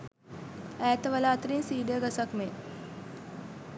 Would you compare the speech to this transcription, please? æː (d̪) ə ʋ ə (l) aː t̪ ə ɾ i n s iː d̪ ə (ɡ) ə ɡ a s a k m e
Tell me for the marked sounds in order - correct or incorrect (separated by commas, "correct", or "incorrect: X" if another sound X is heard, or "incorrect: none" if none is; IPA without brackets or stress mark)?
incorrect: t̪, correct, incorrect: none